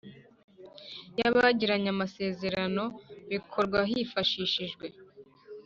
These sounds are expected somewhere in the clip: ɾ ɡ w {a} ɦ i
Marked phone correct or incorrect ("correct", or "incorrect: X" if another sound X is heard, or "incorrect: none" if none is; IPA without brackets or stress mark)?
correct